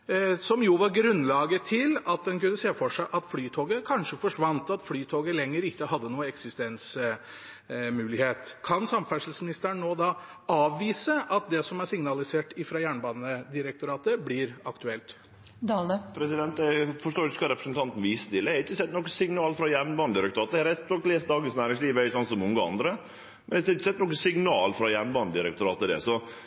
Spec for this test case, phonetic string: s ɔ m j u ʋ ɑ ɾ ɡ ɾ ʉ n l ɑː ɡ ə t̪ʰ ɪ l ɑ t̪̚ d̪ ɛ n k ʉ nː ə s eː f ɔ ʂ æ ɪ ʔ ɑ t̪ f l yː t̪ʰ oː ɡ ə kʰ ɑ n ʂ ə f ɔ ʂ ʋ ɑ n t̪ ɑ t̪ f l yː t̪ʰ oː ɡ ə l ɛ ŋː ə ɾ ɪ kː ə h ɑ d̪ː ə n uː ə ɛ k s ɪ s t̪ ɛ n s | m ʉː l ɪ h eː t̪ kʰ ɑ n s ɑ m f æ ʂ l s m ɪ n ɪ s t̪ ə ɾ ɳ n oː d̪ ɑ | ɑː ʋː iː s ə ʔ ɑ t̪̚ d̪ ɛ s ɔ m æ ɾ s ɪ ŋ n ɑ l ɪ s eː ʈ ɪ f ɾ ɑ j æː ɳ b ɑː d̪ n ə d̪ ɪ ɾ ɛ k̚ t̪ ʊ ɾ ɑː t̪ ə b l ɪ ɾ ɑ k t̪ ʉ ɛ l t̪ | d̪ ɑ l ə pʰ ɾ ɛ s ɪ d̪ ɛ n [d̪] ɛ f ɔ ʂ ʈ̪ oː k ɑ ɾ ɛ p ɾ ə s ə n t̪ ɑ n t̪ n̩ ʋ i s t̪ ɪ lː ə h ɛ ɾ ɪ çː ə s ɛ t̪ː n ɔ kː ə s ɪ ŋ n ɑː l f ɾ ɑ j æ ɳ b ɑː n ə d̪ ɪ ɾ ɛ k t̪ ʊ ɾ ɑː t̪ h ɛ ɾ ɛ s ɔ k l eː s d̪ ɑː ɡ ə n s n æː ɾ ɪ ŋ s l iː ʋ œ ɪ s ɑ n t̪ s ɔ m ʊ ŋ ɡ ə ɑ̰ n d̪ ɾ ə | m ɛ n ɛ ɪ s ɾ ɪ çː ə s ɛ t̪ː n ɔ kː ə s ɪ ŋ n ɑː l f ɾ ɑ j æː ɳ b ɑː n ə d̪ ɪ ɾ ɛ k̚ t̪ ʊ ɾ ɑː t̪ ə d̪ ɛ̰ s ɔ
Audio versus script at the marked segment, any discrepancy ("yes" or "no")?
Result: yes